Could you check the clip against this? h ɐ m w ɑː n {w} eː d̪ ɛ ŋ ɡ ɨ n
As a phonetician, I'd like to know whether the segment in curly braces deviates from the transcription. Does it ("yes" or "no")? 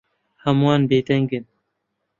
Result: yes